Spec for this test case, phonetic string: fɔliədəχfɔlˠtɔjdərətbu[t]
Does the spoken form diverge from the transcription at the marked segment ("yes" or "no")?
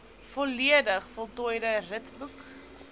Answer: yes